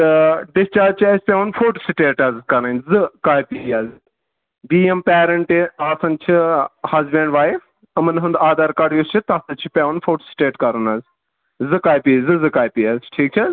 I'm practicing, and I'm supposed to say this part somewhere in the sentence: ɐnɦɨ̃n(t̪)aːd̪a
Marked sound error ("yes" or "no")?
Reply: yes